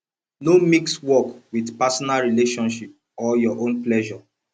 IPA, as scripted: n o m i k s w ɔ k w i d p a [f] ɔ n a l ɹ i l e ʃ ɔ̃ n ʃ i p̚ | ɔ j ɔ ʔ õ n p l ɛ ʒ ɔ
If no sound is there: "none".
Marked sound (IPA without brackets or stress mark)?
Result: s